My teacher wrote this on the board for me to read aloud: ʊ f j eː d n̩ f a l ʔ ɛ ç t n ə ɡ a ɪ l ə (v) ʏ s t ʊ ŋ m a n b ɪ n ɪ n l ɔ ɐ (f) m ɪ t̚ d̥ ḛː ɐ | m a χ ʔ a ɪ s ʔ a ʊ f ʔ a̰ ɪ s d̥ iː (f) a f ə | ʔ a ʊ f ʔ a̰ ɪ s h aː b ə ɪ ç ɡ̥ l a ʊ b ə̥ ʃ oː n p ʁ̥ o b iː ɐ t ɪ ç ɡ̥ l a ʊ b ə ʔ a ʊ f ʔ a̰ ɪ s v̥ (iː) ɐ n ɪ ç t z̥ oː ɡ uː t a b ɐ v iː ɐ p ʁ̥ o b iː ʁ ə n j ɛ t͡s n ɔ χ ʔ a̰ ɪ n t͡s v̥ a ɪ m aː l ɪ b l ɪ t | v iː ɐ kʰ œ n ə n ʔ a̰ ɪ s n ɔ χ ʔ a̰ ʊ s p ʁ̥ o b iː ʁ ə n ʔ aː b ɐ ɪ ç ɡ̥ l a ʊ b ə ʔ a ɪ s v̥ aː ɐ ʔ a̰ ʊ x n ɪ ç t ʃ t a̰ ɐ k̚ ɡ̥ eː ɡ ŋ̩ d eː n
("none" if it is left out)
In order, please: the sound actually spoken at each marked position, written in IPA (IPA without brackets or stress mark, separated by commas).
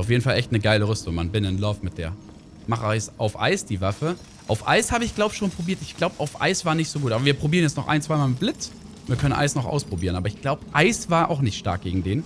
ʁ, f, v, aː